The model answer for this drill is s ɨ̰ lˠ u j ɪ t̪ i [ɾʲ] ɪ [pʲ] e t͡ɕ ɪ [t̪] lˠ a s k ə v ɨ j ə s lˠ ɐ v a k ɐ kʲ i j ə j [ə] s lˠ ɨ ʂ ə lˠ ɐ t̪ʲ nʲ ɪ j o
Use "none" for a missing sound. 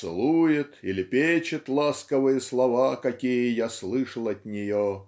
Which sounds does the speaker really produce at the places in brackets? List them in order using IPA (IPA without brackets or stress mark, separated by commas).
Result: lʲ, pʲ, t̪, a